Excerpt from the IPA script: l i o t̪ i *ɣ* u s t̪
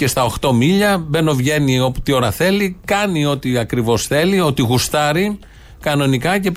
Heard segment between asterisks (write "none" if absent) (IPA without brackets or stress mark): ɣ